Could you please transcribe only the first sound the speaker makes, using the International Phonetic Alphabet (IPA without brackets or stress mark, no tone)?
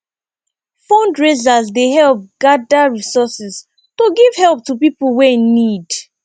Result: f